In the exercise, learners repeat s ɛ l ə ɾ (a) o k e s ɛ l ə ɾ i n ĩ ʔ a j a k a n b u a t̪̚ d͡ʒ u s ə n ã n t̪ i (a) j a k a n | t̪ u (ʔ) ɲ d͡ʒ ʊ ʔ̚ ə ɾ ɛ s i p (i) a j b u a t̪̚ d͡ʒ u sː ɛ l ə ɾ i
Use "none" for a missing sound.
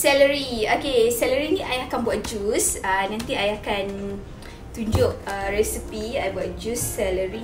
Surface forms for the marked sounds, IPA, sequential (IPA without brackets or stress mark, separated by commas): i, a, none, i